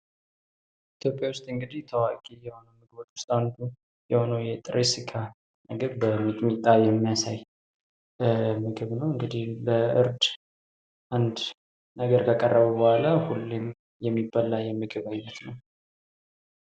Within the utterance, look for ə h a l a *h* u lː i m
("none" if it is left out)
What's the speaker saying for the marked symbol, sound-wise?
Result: h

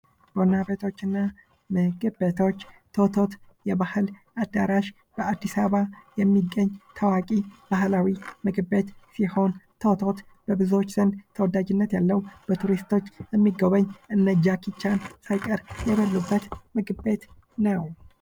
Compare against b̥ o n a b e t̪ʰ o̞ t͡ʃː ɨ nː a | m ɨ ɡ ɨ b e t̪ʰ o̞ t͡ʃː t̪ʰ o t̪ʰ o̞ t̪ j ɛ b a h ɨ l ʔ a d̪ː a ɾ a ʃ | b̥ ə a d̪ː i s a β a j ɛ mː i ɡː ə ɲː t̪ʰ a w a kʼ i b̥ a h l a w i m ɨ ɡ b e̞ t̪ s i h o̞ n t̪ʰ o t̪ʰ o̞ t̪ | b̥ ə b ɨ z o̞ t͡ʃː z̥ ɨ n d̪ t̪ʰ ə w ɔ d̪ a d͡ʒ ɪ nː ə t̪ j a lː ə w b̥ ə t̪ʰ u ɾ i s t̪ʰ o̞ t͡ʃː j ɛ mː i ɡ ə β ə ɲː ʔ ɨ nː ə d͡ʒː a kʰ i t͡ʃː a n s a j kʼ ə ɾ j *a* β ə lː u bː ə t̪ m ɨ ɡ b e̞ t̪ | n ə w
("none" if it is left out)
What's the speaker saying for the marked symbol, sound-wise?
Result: ɛ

